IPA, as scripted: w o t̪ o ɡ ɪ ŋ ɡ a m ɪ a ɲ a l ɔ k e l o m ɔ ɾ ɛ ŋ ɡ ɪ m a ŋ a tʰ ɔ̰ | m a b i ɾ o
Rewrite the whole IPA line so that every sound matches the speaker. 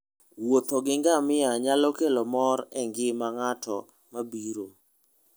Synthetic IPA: w o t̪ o ɡ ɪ ŋ ɡ a m ɪ a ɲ a l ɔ k e l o m ɔ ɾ ɛ ŋ ɡ ɪ m a ŋ a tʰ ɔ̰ | m a b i ɾ o